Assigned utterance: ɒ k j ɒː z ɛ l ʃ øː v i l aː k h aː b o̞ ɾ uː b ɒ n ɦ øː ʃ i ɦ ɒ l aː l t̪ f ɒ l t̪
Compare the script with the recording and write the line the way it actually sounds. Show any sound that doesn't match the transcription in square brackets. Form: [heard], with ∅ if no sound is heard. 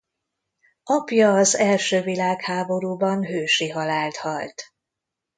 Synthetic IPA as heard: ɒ [p] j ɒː z ɛ l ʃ øː v i l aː k h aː b o̞ ɾ uː b ɒ n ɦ øː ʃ i ɦ ɒ l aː l t̪ [h] ɒ l t̪